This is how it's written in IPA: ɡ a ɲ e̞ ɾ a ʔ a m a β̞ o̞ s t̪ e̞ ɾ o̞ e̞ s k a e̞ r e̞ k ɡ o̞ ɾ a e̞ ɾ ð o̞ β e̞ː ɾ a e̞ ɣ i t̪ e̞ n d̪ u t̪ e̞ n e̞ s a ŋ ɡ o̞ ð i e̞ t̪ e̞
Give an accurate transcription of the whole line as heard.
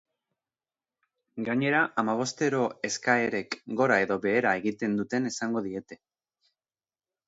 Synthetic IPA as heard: ɡ a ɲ e̞ ɾ a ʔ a m a β̞ o̞ s t̪ e̞ ɾ o̞ e̞ s k a e̞ ɾ e̞ k ɡ o̞ ɾ a e̞ ð o̞ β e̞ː ɾ a e̞ ɣ i t̪ e̞ n d̪ u t̪ e̞ n e̞ s a ŋ ɡ o̞ ð i e̞ t̪ e̞